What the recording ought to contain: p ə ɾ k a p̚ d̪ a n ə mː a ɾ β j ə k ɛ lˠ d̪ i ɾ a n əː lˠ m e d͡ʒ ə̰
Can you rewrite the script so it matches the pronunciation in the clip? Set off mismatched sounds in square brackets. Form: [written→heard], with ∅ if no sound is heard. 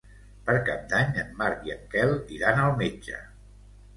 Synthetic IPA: p ə ɾ k a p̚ d̪ a [n→ɲ] ə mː a ɾ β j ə k ɛ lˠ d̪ i ɾ a n [əː→ə] lˠ m e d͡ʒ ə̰

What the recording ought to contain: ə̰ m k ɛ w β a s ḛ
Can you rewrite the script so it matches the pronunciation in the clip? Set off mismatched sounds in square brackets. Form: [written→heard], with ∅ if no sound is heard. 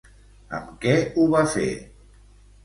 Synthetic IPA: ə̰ m k ɛ [w→u] β a [s→f] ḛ

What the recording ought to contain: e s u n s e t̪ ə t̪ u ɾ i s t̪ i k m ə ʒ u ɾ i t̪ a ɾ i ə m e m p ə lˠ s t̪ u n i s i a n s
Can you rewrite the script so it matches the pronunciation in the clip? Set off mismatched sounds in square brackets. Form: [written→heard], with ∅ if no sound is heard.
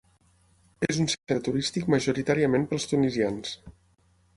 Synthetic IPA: e [s→z] u n s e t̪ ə t̪ u ɾ i s t̪ i k m ə ʒ u ɾ i t̪ a ɾ i ə m e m p ə lˠ s t̪ u n i [s→z] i a n s

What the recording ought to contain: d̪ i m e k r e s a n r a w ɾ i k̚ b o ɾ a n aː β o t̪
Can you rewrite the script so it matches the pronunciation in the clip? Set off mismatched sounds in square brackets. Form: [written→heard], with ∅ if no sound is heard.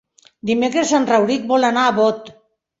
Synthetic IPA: d̪ i m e k [r→ɾ] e s a n r a w ɾ i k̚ b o [ɾ→l] a n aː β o t̪

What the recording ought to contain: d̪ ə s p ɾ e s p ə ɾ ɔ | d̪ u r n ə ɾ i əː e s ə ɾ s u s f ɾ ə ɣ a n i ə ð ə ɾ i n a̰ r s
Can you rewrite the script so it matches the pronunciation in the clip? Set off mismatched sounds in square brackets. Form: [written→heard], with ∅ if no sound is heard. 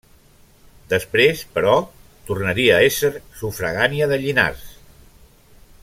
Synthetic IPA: d̪ ə s p ɾ e s p ə ɾ ɔ | [d̪→t̪] u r n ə ɾ i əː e s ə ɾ s u [s→∅] f ɾ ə ɣ a n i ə ð ə [ɾ→ʎ] i n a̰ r s

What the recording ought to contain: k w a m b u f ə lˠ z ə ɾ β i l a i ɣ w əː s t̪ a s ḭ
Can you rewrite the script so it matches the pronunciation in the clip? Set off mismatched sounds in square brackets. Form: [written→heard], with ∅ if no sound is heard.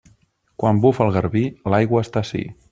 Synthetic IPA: k w a m b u f ə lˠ [z→ɣ] ə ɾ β i l a [i→j] ɣ w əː s t̪ a s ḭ

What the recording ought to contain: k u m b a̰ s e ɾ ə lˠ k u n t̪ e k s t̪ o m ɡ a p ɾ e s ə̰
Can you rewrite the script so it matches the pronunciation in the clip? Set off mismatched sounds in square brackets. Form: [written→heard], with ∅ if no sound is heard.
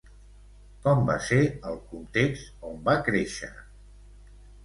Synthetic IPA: k [u→ɔ] m b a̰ s e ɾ ə lˠ k u n t̪ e k s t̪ o m [ɡ→b] a [p→k] ɾ e [s→ʃ] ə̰

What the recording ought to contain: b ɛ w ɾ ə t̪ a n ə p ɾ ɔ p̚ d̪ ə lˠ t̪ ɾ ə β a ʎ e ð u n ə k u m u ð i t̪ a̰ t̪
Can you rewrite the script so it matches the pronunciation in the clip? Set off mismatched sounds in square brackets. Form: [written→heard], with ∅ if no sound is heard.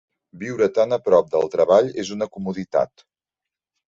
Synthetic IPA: b [ɛ→i] w ɾ ə t̪ a n ə p ɾ ɔ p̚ d̪ ə lˠ t̪ ɾ ə β a ʎ e [ð→z] u n ə k u m u ð i t̪ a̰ t̪

